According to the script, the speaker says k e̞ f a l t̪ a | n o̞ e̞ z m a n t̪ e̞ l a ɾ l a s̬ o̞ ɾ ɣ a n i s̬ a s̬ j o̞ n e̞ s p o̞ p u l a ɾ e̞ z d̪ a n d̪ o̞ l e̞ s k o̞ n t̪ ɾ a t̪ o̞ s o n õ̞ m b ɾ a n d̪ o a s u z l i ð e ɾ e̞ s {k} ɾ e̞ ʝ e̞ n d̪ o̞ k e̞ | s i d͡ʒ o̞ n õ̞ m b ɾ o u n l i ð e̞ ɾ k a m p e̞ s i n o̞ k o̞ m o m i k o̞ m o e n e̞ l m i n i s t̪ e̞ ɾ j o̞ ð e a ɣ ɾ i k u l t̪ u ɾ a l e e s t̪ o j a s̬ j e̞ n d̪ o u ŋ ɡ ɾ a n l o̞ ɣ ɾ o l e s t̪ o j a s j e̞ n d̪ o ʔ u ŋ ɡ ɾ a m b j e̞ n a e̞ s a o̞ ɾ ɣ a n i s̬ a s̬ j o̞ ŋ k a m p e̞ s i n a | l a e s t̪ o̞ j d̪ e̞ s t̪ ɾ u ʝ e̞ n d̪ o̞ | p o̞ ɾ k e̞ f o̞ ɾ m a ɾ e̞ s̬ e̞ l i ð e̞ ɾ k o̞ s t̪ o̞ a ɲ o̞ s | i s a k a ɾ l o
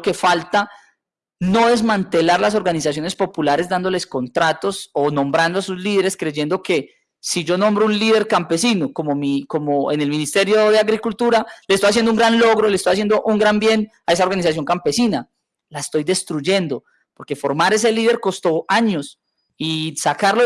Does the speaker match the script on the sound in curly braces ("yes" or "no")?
yes